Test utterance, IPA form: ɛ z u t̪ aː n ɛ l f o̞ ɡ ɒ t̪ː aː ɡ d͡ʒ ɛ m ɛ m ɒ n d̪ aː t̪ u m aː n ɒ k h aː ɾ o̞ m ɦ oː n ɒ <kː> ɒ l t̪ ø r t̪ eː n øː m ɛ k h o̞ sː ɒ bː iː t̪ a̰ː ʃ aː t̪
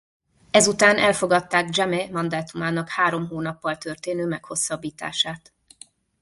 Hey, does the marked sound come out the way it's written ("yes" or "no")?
no